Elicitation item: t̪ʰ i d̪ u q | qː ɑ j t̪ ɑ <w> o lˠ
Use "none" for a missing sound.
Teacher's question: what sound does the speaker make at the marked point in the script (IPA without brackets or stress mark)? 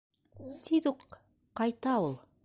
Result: w